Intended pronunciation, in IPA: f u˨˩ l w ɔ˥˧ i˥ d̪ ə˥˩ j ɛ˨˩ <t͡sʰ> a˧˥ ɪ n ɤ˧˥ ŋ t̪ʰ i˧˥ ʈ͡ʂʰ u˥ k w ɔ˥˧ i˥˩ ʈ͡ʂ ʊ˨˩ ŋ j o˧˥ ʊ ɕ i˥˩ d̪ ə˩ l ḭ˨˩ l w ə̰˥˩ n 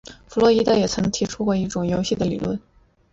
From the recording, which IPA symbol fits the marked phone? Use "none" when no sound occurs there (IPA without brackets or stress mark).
t͡sʰ